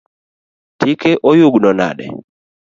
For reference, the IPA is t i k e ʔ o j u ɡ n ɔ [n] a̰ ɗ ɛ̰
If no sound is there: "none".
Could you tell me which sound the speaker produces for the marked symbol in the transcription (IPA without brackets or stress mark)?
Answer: n